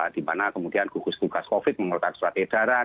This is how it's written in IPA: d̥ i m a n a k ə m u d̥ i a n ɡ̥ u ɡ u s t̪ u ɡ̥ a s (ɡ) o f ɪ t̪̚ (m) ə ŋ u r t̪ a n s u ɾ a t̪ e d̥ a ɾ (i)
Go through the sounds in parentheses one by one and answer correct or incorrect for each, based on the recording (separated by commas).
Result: incorrect, correct, incorrect